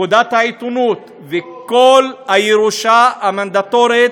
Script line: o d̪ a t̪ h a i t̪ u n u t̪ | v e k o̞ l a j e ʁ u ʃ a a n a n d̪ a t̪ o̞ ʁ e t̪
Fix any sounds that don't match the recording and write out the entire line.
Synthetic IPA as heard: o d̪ a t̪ h a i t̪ u n u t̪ | v e k o̞ l a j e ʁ u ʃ a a m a n d̪ a t̪ o̞ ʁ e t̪